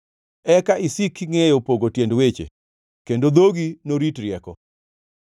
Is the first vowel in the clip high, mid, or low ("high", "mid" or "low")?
mid